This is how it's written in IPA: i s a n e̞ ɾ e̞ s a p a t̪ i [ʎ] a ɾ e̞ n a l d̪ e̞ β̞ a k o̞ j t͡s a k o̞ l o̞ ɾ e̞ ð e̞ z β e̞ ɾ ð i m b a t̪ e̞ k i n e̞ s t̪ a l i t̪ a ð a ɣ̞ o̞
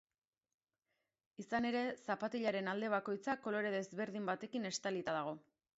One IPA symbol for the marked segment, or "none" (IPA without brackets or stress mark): ʎ